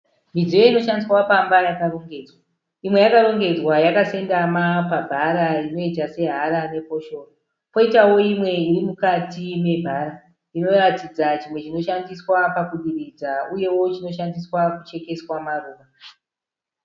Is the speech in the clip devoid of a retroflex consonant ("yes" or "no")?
yes